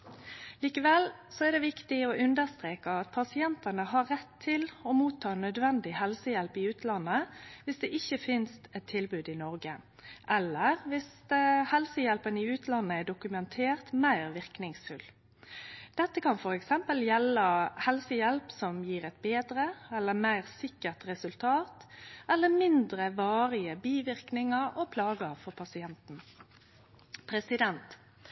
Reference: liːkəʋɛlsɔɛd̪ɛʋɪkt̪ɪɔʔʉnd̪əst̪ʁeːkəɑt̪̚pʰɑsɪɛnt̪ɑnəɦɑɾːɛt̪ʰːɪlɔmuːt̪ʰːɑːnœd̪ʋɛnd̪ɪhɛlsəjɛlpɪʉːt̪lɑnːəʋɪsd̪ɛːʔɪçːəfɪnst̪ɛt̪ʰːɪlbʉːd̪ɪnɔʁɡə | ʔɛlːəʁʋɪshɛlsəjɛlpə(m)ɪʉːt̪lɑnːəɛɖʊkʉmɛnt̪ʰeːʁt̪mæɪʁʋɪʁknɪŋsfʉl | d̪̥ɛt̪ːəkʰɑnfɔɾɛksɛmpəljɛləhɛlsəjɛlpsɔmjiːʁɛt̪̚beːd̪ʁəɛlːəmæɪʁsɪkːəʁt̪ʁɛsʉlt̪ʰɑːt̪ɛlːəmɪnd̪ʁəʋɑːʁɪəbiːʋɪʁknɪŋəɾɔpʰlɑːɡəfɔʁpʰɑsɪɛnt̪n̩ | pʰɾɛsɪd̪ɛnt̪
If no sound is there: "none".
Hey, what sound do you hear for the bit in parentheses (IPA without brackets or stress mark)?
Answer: n